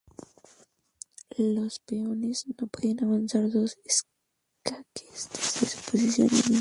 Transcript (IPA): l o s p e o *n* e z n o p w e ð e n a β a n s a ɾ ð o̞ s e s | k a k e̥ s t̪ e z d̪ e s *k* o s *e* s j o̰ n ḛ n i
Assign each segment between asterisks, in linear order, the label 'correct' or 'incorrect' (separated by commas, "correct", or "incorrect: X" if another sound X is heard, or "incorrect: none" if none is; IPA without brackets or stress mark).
correct, incorrect: p, incorrect: i